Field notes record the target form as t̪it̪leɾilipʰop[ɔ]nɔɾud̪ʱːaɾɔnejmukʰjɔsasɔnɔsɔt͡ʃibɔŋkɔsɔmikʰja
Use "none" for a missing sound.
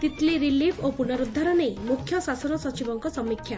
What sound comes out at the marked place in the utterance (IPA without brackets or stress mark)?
u